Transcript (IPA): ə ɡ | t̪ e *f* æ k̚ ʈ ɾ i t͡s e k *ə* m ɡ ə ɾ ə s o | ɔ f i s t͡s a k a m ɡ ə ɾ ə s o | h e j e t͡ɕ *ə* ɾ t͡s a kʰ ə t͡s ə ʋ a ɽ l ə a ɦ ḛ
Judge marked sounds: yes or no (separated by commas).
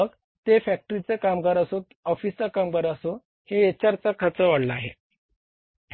yes, no, no